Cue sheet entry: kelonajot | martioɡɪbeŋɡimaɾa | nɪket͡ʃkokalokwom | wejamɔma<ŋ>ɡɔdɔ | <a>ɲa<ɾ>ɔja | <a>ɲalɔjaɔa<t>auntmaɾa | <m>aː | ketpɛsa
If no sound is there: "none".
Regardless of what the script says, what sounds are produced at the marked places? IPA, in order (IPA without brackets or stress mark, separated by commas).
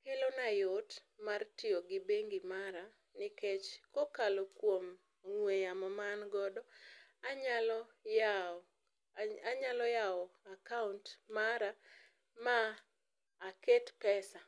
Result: n, a, l, a, k, m